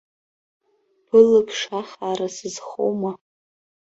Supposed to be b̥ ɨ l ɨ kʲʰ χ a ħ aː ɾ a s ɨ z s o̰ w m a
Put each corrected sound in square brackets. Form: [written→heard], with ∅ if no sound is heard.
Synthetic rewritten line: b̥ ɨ l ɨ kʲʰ [χ→ʂ] a [ħ→χ] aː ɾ a s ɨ z [s→χ] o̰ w m a